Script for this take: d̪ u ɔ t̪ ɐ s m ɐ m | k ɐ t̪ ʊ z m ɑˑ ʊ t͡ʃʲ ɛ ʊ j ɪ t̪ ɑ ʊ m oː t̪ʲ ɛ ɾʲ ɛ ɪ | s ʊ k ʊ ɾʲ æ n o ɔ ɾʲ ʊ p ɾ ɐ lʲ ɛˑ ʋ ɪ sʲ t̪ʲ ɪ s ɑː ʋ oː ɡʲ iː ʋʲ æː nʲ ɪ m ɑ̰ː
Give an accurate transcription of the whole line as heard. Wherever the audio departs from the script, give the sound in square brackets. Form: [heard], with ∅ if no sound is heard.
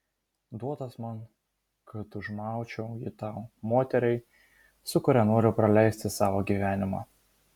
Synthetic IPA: d̪ u ɔ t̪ ɐ s m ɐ [n] | k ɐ t̪ ʊ [ʒ] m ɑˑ ʊ t͡ʃʲ ɛ ʊ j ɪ t̪ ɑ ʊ m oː t̪ʲ ɛ ɾʲ ɛ ɪ | s ʊ k ʊ ɾʲ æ n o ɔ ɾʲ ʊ p ɾ ɐ lʲ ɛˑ [∅] ɪ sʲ t̪ʲ ɪ s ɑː ʋ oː ɡʲ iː ʋʲ æː nʲ ɪ m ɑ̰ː

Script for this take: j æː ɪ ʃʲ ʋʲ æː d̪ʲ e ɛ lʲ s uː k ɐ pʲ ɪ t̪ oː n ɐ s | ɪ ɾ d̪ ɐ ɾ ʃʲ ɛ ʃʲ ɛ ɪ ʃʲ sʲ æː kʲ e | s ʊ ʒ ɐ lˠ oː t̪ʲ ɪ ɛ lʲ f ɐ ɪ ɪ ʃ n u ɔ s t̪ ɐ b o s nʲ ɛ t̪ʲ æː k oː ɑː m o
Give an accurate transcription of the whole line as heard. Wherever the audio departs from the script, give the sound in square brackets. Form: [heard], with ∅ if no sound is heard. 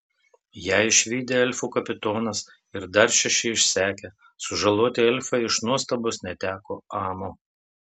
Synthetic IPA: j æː ɪ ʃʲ ʋʲ [iː] d̪ʲ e ɛ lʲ [f] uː k ɐ pʲ ɪ t̪ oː n ɐ s | ɪ ɾ d̪ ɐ ɾ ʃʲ ɛ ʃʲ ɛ ɪ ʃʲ sʲ æː kʲ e | s ʊ ʒ ɐ lˠ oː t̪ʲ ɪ ɛ lʲ f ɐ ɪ ɪ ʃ n u ɔ s t̪ ɐ b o s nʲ ɛ t̪ʲ æː k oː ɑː m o

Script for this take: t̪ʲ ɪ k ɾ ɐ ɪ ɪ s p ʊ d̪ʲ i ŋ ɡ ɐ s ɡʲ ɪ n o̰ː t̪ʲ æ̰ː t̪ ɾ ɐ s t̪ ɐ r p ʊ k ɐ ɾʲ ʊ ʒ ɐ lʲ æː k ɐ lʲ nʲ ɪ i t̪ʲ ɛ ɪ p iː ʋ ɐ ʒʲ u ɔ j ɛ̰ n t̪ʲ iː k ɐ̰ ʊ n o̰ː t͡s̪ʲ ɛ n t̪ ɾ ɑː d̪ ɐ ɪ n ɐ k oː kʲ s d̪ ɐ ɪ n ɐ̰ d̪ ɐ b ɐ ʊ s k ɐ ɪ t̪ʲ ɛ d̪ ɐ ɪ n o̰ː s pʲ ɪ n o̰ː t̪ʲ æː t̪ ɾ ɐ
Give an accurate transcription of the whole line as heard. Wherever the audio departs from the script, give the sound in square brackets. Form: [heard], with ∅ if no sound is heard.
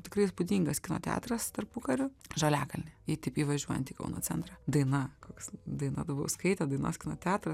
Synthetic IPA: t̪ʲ ɪ k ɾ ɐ ɪ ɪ s p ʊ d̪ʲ i ŋ ɡ ɐ s [kʲ] ɪ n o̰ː t̪ʲ æ̰ː t̪ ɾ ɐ s t̪ ɐ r p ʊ k ɐ ɾʲ ʊ ʒ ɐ lʲ æː k ɐ lʲ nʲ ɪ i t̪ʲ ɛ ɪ p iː ʋ ɐ ʒʲ u ɔ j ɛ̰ n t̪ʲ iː k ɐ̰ ʊ n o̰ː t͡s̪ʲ ɛ n t̪ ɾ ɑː d̪ ɐ ɪ n ɐ k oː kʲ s d̪ ɐ ɪ n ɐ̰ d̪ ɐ b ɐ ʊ s k ɐ ɪ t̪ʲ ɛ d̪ ɐ ɪ n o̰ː s [kʲ] ɪ n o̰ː t̪ʲ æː t̪ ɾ ɐ

